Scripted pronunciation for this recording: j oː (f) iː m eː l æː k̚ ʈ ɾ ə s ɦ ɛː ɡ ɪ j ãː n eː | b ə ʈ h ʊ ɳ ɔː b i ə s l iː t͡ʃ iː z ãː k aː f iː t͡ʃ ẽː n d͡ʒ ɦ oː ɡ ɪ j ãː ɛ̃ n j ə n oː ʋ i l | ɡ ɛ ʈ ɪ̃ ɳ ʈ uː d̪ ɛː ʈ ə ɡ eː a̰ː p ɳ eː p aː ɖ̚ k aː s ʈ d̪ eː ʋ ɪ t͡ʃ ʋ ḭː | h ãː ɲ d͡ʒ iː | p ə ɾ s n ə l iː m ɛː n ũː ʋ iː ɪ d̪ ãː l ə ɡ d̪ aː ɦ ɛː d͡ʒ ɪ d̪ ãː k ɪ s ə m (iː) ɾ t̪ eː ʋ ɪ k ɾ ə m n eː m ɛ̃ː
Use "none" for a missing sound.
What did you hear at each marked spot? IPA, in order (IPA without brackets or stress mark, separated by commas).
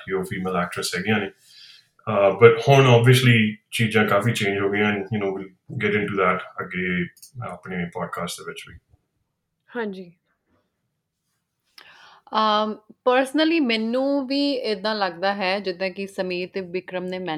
f, iː